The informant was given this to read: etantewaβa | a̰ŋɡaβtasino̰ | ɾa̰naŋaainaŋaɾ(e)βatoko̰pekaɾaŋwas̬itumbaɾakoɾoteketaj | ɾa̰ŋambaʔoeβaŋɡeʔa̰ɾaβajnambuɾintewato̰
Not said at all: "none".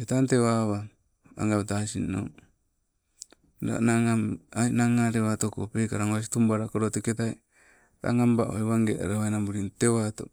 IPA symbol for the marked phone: e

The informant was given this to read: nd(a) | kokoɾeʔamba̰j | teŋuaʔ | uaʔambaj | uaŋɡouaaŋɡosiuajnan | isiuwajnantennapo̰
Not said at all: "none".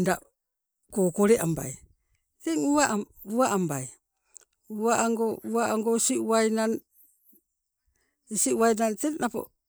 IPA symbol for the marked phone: a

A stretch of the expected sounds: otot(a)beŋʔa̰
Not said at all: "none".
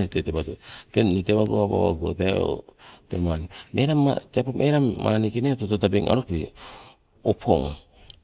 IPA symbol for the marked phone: a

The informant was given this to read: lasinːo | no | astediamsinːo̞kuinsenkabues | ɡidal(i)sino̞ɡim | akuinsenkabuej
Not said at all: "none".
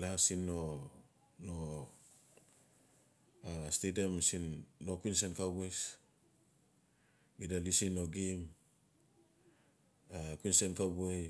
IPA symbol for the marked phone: i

